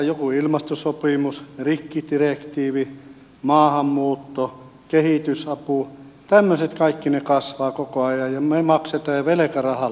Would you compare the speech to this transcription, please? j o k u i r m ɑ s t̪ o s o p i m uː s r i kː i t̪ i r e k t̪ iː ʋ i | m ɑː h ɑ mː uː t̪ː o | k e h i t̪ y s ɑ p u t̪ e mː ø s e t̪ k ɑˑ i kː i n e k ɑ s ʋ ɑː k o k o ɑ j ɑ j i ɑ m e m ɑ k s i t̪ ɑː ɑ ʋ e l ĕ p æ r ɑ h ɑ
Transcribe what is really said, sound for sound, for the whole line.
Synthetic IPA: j o k u i l m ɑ s t̪ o s o p i m u s r i kː i t̪ i r e k t̪ iː ʋ i | m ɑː h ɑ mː uː t̪ː o | k e h i t̪ y s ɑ p u t̪ æ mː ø s e t̪ k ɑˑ i kː i n e k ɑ s ʋ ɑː k o k o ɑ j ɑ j j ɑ m e m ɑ k s e t̪ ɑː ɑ ʋ e l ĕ k æ r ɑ h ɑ

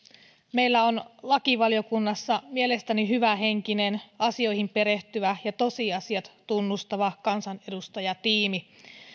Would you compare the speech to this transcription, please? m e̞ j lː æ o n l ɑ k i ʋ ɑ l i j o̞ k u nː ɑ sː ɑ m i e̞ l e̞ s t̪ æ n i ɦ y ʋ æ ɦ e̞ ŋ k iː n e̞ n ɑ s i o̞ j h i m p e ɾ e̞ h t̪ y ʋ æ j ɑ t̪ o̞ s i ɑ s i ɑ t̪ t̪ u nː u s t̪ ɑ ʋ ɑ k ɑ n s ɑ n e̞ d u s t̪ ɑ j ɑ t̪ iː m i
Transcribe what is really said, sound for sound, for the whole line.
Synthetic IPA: m e̞ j lː æ o n l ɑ k i ʋ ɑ l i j o̞ k u nː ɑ sː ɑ m i e̞ l e̞ s t̪ æ n i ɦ y ʋ æ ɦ e̞ ŋ k i n e̞ n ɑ s i o̞ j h i m p e ɾ e̞ h t̪ y ʋ æ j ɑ t̪ o̞ s i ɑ s i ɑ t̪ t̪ u nː u s t̪ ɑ ʋ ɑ k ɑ n s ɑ n e̞ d u s t̪ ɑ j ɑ t̪ iː m i

